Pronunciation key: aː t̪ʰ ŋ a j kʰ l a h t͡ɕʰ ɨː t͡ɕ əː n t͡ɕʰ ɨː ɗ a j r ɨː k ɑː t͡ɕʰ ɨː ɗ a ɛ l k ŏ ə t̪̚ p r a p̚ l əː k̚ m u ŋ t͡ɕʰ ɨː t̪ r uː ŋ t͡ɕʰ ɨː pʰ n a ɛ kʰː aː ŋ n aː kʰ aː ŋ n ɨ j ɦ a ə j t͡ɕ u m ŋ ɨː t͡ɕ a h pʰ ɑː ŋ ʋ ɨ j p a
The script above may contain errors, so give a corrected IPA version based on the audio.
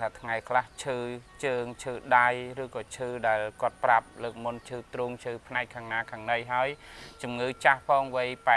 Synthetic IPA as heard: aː t̪ʰ ŋ a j kʰ l a h t͡ɕʰ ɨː t͡ɕ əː ŋ t͡ɕʰ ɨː ɗ a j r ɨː k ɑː t͡ɕʰ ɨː ɗ a ɛ l k ŏ ə t̪̚ p r a p̚ l əː k̚ m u n t͡ɕʰ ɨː t̪ r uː ŋ t͡ɕʰ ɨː pʰ n a ɛ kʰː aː ŋ n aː kʰ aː ŋ n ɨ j ɦ a ə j t͡ɕ u m ŋ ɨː t͡ɕ a h pʰ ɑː ŋ ʋ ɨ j p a